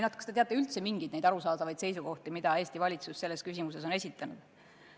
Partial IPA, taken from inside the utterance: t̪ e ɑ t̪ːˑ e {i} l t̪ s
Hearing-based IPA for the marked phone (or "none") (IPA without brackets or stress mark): y